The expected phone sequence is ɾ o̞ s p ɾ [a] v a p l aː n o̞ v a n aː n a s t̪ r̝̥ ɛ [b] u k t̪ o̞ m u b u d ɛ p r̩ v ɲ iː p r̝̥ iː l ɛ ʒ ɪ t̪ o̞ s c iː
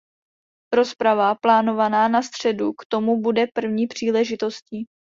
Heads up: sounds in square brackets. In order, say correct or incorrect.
correct, incorrect

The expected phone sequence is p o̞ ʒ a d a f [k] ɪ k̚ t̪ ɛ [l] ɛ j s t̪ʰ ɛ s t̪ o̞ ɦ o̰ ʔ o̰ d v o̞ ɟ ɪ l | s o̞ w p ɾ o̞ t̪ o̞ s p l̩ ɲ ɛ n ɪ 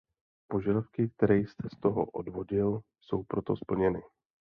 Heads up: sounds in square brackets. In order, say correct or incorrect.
correct, incorrect

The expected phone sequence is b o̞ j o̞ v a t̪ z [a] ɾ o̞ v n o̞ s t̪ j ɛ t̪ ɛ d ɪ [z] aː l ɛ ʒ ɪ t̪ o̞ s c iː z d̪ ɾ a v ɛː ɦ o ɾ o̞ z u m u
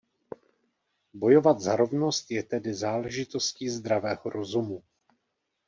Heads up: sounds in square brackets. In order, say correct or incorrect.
correct, correct

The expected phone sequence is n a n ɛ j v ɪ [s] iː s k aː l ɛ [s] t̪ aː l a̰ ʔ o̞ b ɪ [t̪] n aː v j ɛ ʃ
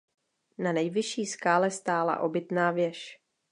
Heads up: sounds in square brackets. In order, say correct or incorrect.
incorrect, correct, correct

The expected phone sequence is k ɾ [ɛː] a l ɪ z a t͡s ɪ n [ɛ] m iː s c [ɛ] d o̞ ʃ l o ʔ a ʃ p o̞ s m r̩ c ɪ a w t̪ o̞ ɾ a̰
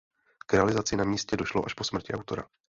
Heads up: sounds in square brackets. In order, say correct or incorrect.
incorrect, incorrect, correct

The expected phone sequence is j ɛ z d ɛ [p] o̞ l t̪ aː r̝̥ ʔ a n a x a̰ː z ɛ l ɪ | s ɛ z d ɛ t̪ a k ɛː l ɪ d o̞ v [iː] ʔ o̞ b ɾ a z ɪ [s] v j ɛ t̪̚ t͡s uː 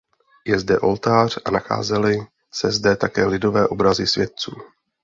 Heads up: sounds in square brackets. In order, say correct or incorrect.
incorrect, incorrect, correct

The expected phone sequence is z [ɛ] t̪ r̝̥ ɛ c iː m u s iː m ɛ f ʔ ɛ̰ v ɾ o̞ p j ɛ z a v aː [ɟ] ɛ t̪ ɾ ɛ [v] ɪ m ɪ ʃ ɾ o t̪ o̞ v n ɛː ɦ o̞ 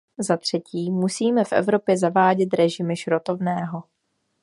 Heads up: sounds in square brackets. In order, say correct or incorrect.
incorrect, correct, incorrect

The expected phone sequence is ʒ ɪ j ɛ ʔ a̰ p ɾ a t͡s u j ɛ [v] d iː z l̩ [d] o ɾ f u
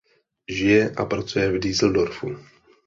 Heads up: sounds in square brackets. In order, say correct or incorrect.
correct, correct

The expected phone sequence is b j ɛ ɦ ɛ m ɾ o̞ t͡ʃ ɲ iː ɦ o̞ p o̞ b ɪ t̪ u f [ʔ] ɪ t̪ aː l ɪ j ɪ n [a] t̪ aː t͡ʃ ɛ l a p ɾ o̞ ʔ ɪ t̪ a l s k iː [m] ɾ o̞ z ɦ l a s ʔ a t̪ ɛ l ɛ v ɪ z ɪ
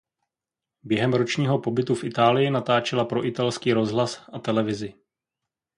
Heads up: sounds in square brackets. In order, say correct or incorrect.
correct, correct, incorrect

